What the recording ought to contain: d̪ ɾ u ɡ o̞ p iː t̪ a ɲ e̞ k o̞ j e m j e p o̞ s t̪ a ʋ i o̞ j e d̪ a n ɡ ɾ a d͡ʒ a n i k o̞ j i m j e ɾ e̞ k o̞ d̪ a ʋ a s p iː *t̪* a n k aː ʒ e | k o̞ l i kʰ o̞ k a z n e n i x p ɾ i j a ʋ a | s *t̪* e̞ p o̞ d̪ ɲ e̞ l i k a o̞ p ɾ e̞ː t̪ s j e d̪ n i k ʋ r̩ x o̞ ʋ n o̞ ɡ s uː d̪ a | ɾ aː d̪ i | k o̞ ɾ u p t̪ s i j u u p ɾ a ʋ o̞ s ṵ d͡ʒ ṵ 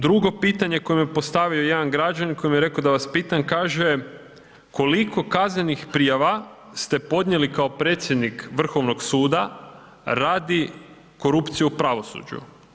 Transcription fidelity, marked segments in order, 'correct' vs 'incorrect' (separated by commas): correct, correct